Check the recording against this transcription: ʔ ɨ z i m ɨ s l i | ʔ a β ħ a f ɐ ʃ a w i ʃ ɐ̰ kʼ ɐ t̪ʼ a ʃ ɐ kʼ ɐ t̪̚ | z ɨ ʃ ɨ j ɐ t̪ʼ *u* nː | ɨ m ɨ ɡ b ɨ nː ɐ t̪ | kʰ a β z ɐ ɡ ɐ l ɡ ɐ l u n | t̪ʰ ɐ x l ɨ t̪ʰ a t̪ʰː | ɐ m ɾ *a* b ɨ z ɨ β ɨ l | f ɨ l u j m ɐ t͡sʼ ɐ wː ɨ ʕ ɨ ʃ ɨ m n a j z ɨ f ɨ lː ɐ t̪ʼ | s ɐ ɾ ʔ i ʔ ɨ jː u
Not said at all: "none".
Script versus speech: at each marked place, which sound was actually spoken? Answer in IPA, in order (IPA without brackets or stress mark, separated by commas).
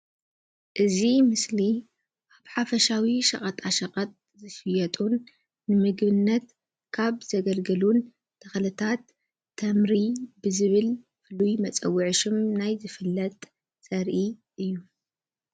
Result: u, i